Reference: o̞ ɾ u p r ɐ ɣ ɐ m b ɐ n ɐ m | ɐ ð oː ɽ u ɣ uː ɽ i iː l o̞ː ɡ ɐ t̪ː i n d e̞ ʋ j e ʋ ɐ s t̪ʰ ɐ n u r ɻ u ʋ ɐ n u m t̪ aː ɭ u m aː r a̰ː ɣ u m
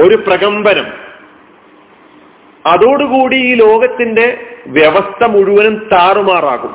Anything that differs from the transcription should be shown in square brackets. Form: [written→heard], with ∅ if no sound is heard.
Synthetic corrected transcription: o̞ ɾ u p r ɐ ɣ ɐ m b ɐ n ɐ m | ɐ ð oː ɽ u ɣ uː ɽ i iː l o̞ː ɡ ɐ t̪ː i n d e̞ ʋ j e ʋ ɐ s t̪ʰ ɐ [n→m] u [r→∅] ɻ u ʋ ɐ n u m t̪ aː [ɭ→r] u m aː r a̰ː ɣ u m